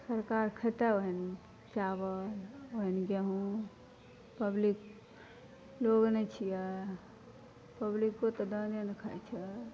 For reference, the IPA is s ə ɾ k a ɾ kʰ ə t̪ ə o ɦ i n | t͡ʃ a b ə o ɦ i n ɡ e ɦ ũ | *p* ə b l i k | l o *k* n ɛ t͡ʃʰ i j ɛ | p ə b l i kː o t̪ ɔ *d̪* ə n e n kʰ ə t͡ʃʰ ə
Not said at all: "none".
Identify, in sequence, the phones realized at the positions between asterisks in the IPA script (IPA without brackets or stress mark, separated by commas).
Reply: p, ɡ, d̪